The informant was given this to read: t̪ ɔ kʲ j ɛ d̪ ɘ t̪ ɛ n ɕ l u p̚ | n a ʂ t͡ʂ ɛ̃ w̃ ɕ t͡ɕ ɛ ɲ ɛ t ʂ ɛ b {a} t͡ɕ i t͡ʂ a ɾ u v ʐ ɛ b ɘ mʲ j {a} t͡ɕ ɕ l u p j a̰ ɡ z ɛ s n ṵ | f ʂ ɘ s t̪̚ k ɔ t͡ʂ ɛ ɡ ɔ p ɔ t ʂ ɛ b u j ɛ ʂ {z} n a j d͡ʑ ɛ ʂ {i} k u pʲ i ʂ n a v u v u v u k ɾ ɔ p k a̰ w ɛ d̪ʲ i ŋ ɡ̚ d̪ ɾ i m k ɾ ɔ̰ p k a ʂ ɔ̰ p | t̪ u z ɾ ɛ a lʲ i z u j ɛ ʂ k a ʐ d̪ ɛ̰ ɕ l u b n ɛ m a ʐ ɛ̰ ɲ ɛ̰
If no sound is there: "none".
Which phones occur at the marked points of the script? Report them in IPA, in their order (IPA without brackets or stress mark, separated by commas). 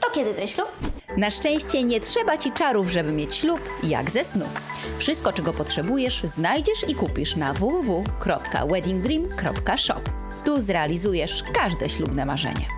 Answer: a, e, z, i